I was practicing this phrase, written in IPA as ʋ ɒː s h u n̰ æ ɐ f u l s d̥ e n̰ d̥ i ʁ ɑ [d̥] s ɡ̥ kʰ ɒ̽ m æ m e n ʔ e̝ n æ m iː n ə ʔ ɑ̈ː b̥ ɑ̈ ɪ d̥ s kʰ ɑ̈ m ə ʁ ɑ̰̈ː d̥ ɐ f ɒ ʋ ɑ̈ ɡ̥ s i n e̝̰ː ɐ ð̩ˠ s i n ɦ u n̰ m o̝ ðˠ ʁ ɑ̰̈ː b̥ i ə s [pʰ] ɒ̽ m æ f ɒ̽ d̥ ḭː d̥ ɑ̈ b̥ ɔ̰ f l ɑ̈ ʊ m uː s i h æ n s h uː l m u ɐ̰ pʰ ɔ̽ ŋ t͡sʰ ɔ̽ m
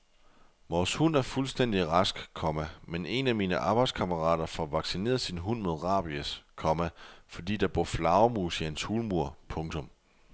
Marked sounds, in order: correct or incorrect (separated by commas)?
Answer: incorrect, incorrect